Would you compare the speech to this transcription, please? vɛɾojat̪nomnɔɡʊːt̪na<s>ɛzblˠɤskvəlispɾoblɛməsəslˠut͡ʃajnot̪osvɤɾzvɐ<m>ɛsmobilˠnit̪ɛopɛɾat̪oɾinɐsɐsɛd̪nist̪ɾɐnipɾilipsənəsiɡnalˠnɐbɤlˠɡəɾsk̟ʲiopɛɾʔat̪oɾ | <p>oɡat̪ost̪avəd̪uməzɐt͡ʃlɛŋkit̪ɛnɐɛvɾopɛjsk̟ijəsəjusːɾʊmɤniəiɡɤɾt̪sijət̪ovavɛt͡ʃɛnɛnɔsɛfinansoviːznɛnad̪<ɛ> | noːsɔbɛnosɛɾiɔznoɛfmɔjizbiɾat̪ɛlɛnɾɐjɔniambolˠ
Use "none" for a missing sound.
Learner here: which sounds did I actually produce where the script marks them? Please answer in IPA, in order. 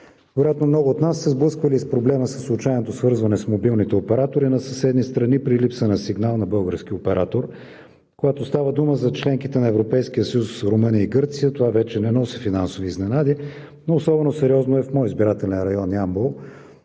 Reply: sː, n, k, i

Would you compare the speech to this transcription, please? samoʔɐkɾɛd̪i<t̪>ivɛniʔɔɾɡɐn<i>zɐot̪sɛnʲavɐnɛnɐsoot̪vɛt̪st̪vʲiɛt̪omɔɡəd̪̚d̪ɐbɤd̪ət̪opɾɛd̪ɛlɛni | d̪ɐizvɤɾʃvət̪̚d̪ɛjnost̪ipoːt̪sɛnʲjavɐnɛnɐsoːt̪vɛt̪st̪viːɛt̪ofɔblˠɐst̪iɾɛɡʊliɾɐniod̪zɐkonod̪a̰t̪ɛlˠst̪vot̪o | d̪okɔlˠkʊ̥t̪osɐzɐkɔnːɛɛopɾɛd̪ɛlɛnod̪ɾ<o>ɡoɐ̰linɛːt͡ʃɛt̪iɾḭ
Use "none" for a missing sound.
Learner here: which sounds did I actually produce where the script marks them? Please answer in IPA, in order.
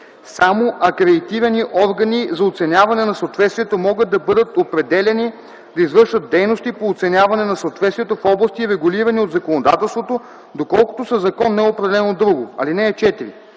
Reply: t̪, i, u

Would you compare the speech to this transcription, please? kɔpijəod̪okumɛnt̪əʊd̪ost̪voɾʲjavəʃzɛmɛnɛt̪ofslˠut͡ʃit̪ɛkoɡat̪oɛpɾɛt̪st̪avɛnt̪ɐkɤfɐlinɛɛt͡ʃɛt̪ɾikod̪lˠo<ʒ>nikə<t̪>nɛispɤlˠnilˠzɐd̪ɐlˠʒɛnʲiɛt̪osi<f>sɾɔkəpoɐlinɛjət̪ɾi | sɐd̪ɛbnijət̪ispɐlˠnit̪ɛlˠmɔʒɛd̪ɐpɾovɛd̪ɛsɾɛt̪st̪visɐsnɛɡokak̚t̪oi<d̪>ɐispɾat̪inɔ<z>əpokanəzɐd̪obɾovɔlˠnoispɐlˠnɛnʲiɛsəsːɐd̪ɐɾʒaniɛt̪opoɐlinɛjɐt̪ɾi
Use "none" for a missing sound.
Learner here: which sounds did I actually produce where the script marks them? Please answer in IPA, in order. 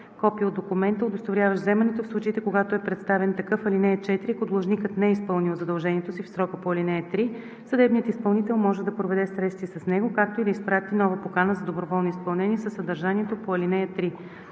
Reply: ʒ, t̪, f, d̪, v

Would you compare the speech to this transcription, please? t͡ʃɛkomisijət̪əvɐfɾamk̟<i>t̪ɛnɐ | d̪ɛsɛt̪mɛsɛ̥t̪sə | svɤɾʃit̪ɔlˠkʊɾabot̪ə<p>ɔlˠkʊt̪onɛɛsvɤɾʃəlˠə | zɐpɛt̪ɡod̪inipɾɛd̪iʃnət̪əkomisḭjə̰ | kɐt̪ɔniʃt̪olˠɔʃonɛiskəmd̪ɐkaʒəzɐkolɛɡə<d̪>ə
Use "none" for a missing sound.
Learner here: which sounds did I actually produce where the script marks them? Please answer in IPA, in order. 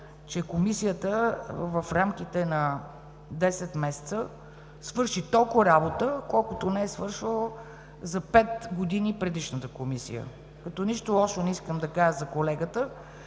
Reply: i, k, t̪

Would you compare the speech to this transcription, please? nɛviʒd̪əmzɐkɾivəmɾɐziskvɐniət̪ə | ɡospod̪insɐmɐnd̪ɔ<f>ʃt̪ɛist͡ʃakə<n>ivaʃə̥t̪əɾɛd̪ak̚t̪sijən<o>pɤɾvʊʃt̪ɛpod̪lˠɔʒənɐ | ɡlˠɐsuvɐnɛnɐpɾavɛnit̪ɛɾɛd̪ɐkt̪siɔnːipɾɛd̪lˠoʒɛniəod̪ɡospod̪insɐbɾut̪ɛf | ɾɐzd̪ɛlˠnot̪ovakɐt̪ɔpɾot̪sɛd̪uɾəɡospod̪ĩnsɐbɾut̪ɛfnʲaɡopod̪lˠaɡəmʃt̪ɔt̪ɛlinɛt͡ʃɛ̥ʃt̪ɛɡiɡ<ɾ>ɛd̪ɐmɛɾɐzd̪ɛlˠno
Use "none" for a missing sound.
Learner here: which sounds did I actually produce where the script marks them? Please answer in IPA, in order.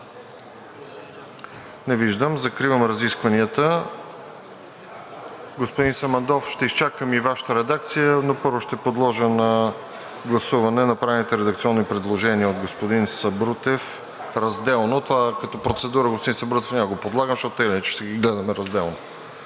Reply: f, m, o, l

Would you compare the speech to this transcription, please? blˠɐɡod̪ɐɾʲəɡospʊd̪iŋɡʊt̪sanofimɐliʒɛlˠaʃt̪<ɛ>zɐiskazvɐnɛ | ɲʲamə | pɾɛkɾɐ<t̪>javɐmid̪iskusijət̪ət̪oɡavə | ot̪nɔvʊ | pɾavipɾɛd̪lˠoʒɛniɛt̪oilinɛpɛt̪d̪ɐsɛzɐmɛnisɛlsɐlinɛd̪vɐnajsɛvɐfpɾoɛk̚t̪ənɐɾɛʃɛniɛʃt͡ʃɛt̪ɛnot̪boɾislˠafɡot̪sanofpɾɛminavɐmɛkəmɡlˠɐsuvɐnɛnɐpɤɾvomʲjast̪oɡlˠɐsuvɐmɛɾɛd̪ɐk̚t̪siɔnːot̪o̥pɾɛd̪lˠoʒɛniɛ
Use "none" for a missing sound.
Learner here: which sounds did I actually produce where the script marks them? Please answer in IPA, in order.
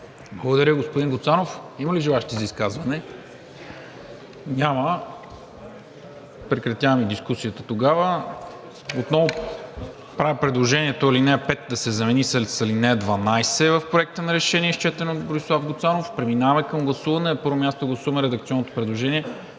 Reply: i, t̪

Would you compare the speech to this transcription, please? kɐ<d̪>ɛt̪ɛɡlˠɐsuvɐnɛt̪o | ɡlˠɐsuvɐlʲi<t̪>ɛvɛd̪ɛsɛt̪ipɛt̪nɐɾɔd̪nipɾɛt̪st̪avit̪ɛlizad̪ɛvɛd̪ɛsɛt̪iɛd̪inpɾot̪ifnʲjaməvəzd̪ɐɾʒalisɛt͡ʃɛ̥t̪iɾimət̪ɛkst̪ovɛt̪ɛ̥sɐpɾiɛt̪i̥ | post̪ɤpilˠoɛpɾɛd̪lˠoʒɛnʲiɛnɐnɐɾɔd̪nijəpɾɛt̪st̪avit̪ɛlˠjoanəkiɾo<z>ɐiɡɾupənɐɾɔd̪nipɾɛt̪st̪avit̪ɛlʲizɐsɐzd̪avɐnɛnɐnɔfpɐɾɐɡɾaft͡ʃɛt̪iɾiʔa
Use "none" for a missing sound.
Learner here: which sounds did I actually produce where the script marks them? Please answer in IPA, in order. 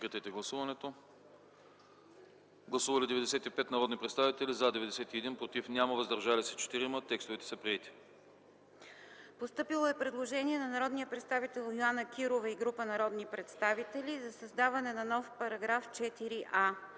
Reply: t̪, d̪, v

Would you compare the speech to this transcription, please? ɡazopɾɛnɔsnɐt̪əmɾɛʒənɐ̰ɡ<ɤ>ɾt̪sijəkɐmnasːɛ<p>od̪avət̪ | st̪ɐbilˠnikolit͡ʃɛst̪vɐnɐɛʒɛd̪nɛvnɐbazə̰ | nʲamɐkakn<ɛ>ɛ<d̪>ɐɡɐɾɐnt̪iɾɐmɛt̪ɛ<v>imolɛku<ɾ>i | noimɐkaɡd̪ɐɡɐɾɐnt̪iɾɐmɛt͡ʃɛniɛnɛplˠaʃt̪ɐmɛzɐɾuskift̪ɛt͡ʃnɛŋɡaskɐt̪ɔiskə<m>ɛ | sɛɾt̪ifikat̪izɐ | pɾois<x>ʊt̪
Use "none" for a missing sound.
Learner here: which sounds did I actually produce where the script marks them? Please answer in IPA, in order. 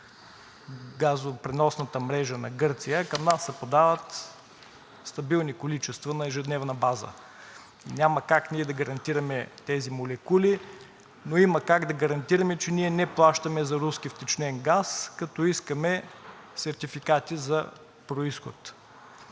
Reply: ɤ, p, i, d̪, z, l, m, x

